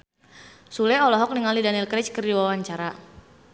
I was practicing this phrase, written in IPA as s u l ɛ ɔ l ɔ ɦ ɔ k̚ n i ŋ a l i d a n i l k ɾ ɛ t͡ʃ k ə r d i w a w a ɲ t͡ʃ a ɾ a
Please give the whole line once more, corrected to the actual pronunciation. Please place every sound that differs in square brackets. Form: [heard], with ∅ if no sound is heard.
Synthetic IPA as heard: s u l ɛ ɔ l ɔ ɦ ɔ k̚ n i ŋ a l i d a n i l k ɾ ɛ t͡ʃ k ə r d i w a w a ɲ t͡ʃ a ɾ a